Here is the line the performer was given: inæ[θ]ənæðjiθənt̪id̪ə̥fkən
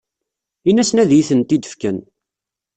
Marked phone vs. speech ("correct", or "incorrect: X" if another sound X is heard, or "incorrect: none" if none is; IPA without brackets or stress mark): incorrect: s